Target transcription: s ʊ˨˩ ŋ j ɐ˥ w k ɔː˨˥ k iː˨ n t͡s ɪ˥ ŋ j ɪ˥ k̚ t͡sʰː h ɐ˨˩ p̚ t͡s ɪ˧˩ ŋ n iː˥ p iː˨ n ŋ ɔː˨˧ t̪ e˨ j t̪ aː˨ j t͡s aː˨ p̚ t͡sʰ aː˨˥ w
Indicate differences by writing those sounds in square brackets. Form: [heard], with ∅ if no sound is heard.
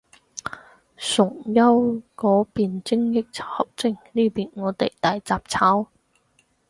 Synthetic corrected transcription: s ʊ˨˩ ŋ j ɐ˥ w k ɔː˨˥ [p] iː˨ n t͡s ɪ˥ ŋ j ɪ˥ k̚ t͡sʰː h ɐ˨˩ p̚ t͡s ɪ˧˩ ŋ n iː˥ p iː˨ n ŋ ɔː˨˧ t̪ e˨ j t̪ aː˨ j t͡s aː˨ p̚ t͡sʰ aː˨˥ w